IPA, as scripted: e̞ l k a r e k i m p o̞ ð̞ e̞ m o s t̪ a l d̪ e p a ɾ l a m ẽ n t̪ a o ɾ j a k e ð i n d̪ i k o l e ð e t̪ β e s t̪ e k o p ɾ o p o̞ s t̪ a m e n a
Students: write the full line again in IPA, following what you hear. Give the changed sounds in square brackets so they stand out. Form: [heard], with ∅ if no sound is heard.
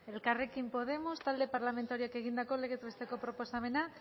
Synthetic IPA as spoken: e̞ l k a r e k i m p o̞ ð̞ e̞ m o s t̪ a l d̪ e p a ɾ l a m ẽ n t̪ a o ɾ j a k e [ɣ] i n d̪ [a] k o l e [ɣ] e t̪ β e s t̪ e k o p ɾ o p o̞ s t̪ a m e n a

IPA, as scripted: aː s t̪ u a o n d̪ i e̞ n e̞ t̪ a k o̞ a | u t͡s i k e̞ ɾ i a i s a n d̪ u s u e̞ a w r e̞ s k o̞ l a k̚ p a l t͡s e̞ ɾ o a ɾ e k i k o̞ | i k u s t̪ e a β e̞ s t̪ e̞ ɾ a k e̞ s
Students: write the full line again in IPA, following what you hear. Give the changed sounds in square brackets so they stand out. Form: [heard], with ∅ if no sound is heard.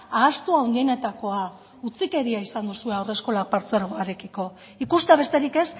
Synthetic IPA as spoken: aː s t̪ u a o n d̪ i e̞ n e̞ t̪ a k o̞ a | u t͡s i k e̞ ɾ i a i s a n d̪ u s u e̞ a w r e̞ s k o̞ l a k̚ p a [ɾ] t͡s e̞ ɾ o a ɾ e k i k o̞ | i k u s t̪ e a β e̞ s t̪ e̞ ɾ [i] k e̞ s

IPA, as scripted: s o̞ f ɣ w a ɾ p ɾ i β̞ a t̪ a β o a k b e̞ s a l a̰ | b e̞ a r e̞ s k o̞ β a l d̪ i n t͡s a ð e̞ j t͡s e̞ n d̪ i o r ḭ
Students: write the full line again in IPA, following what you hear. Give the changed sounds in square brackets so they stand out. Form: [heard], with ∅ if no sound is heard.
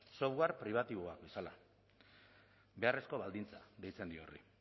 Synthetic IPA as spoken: s o̞ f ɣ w a ɾ p ɾ i β̞ a t̪ [i] β o a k b e̞ s a l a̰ | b e̞ a r e̞ s k o̞ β a l d̪ i n t͡s a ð e̞ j t͡s e̞ n d̪ i o r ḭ

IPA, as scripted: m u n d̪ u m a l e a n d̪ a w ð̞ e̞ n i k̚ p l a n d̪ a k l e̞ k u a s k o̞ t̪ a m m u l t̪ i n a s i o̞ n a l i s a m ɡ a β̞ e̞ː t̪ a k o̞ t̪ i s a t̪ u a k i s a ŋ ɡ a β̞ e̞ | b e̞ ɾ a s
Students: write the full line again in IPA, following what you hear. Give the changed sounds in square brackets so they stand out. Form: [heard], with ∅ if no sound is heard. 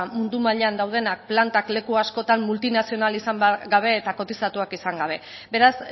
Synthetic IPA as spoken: m u n d̪ u m a [ʎ] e a n d̪ a w ð̞ e̞ n [a] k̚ p l a n [t̪] a k l e̞ k u a s k o̞ t̪ a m m u l t̪ i n a s i o̞ n a l i s a m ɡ a β̞ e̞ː t̪ a k o̞ t̪ i s a t̪ u a k i s a ŋ ɡ a β̞ e̞ | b e̞ ɾ a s

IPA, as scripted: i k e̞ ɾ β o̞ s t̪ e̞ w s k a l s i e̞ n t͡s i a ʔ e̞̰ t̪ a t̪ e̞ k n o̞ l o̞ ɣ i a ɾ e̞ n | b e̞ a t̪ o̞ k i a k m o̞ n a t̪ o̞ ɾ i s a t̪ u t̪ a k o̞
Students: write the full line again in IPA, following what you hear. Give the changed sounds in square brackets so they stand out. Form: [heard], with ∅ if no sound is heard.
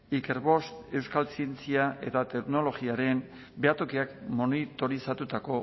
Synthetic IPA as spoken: i k e̞ ɾ β o̞ s t̪ e̞ w s k a l s i e̞ n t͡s i a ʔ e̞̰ t̪ a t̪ e̞ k n o̞ l o̞ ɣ i a ɾ e̞ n | b e̞ a t̪ o̞ k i a k m o̞ n [i] t̪ o̞ ɾ i s a t̪ u t̪ a k o̞

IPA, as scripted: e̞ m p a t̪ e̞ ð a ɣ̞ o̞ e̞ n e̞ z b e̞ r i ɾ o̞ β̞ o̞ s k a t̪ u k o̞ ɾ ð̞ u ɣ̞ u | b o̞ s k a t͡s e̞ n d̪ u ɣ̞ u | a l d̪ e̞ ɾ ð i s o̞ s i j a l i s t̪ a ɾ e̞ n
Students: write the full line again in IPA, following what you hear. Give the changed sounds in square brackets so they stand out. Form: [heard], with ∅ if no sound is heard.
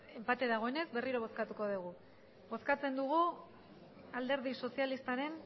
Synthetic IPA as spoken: e̞ m p a t̪ e̞ ð a ɣ̞ o̞ e̞ n e̞ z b e̞ r i ɾ o̞ β̞ o̞ s k a t̪ u k o̞ [∅] ð̞ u ɣ̞ u | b o̞ s k a t͡s e̞ n d̪ u ɣ̞ u | a l d̪ e̞ ɾ ð i s o̞ s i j a l i s t̪ a ɾ e̞ n

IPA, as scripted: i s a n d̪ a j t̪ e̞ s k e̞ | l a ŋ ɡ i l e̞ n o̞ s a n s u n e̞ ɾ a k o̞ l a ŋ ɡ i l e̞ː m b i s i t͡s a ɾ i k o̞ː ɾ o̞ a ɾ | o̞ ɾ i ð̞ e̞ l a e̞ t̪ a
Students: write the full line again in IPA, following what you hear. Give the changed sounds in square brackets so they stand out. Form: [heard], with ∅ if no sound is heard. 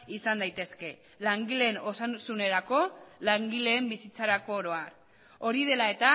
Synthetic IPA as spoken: i s a n d̪ a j t̪ e̞ s k e̞ | l a ŋ ɡ i l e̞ n o̞ s a n s u n e̞ ɾ a k o̞ l a ŋ ɡ i l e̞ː m b i s i t͡s a ɾ [a] k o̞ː ɾ o̞ a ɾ | o̞ ɾ i ð̞ e̞ l a e̞ t̪ a

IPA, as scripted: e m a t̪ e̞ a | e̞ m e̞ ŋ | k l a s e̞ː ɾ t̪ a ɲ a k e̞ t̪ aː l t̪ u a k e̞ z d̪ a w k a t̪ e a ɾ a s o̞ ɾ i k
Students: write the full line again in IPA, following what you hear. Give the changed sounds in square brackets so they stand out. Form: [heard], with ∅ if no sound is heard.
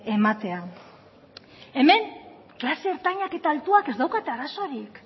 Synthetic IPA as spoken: e m a t̪ e̞ a | e̞ m e̞ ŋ | k l a s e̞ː ɾ t̪ a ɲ a k e̞ t̪ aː l t̪ u a k e̞ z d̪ a w k a t̪ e a ɾ a s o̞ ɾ i k

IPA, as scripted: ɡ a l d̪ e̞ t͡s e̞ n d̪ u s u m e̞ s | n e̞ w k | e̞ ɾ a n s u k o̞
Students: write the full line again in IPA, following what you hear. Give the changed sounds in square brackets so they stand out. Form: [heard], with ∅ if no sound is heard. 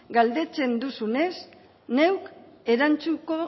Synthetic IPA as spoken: ɡ a l d̪ e̞ t͡s e̞ n d̪ u s u [n] e̞ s | n e̞ w k | e̞ ɾ a n [t͡s] u k o̞

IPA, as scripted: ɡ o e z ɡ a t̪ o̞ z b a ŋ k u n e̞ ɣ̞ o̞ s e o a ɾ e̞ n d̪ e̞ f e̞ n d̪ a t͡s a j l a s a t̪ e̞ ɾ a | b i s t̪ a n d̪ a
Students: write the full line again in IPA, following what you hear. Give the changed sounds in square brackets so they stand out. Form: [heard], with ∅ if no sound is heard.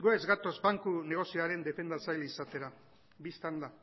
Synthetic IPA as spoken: ɡ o e z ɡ a t̪ o̞ z b a ŋ k u n e̞ ɣ̞ o̞ s [i] o a ɾ e̞ n d̪ e̞ f e̞ n d̪ a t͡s a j l [i] s a t̪ e̞ ɾ a | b i s t̪ a n d̪ a

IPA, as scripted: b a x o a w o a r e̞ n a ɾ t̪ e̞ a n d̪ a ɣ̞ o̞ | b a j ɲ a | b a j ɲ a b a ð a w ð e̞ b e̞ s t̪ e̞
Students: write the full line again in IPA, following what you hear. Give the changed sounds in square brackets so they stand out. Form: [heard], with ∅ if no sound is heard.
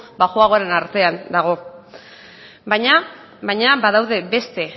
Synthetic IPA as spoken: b a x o a [ɣ] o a [ɾ] e̞ n a ɾ t̪ e̞ a n d̪ a ɣ̞ o̞ | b a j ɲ a | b a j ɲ a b a ð a w ð e̞ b e̞ s t̪ e̞

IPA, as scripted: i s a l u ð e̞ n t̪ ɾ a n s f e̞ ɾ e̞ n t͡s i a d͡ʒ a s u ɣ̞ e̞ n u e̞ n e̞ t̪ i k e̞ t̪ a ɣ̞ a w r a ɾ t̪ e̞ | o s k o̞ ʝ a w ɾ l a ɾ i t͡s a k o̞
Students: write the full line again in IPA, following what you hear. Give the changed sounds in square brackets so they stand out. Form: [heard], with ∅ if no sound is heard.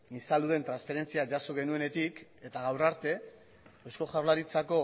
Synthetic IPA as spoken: i s a l u ð e̞ n t̪ ɾ a n s f e̞ ɾ e̞ n t͡s i a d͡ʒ a s [o] ɣ̞ e̞ n u e̞ n e̞ t̪ i k e̞ t̪ a ɣ̞ a w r a ɾ t̪ e̞ | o s k o̞ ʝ a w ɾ l a ɾ i t͡s a k o̞

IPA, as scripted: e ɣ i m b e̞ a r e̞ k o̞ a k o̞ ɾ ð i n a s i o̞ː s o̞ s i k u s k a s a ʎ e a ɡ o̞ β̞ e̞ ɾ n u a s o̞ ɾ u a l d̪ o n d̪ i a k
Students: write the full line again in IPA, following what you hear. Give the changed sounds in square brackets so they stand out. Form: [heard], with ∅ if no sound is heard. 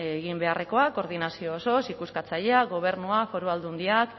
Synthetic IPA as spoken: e ɣ i m b e̞ a r e̞ k o̞ a k o̞ ɾ ð i n a s i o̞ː s o̞ s i k u s k a [t͡s] a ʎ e a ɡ o̞ β̞ e̞ ɾ n u a [f] o̞ ɾ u a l d̪ [u] n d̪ i a k

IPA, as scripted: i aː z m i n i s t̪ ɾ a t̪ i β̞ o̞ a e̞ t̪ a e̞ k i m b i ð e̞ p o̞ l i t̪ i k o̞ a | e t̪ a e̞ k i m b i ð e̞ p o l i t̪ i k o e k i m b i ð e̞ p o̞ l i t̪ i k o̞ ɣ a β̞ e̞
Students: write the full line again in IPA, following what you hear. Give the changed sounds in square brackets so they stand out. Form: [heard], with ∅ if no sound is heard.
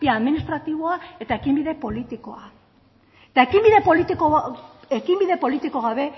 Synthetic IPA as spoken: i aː [ð] m i n i s t̪ ɾ a t̪ i β̞ o̞ a e̞ t̪ a e̞ k i m b i ð e̞ p o̞ l i t̪ i k o̞ a | e t̪ a e̞ k i m b i ð e̞ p o l i t̪ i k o e k i m b i ð e̞ p o̞ l i t̪ i k o̞ ɣ a β̞ e̞

